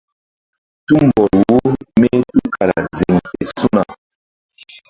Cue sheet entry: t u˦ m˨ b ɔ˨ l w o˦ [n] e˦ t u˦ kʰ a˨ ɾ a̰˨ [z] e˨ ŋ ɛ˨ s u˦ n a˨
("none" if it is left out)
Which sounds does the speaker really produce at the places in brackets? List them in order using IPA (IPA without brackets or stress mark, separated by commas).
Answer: m, z